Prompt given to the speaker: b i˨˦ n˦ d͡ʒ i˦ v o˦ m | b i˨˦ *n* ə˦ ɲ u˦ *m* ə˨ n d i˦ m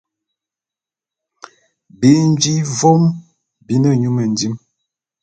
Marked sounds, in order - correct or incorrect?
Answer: correct, correct

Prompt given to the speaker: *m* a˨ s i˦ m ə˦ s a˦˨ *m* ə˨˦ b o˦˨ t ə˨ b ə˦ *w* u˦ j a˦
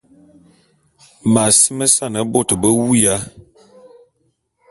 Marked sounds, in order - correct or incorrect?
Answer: correct, incorrect: n, correct

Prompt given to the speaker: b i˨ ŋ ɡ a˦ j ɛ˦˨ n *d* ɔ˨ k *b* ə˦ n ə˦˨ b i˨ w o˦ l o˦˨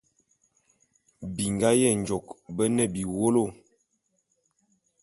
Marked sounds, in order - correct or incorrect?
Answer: incorrect: d͡ʒ, correct

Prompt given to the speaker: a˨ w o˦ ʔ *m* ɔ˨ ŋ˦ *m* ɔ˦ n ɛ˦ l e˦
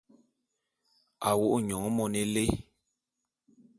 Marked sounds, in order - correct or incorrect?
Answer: incorrect: ɲ, correct

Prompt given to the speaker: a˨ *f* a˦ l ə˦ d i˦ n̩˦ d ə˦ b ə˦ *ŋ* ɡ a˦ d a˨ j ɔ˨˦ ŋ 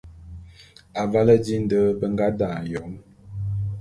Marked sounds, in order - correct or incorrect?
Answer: incorrect: v, correct

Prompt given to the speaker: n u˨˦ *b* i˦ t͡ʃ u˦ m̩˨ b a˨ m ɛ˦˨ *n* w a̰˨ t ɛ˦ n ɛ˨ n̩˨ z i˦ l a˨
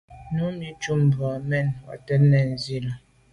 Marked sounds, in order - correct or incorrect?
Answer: incorrect: m, correct

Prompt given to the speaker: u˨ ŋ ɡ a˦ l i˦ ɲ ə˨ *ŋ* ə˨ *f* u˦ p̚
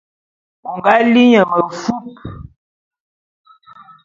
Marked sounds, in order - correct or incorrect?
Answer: incorrect: m, correct

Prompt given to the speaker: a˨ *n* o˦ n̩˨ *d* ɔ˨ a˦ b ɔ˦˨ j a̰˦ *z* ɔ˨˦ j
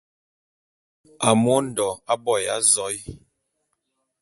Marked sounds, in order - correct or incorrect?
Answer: incorrect: m, correct, correct

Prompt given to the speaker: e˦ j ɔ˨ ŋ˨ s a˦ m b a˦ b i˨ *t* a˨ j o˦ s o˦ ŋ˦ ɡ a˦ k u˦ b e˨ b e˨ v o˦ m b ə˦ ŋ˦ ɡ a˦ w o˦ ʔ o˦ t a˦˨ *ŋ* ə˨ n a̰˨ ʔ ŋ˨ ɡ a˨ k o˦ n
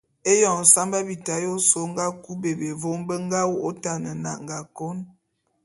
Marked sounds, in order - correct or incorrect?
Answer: correct, incorrect: n

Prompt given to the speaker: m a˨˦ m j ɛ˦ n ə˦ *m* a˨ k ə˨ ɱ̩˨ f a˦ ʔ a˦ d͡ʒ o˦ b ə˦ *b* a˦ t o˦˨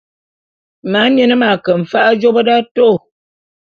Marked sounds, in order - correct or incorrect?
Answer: correct, incorrect: d

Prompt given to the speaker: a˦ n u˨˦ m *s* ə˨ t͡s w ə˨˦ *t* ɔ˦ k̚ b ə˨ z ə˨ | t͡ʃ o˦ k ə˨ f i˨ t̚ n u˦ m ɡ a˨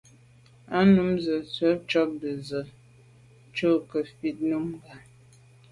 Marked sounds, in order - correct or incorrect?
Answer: incorrect: z, incorrect: t͡ʃ

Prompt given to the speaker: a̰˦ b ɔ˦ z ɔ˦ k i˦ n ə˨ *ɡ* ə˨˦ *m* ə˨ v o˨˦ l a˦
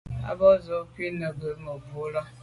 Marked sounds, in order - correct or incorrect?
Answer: correct, correct

